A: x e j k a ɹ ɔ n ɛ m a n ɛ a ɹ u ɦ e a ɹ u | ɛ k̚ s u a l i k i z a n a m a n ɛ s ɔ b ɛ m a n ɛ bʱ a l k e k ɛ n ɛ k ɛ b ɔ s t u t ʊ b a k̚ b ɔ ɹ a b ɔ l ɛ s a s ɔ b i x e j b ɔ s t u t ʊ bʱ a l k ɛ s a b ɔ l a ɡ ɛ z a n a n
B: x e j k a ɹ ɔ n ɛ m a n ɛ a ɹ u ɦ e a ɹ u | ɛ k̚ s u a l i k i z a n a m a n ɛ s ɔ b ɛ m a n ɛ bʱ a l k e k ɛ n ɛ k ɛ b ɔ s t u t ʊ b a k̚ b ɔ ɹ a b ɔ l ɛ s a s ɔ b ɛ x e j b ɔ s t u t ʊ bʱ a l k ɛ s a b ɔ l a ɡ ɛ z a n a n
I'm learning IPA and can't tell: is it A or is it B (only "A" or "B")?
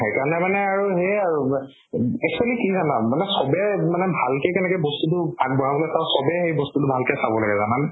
B